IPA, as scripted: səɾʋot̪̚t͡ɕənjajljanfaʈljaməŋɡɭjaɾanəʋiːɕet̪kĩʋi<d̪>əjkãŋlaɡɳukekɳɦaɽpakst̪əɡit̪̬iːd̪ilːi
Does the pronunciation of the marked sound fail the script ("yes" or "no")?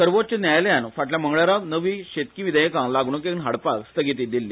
no